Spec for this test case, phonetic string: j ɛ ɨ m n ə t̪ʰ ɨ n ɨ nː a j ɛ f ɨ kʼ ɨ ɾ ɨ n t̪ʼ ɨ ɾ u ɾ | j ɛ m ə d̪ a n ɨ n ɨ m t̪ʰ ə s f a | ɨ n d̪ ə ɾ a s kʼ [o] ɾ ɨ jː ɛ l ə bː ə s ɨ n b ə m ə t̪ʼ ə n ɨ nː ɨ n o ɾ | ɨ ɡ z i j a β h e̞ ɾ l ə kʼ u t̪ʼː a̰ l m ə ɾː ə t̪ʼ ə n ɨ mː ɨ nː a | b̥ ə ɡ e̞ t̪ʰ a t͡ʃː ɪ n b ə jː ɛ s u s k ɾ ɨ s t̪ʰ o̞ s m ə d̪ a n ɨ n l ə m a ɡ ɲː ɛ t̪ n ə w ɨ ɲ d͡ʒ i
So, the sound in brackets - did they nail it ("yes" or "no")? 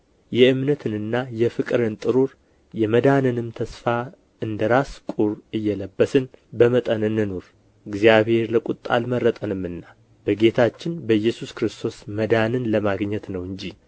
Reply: no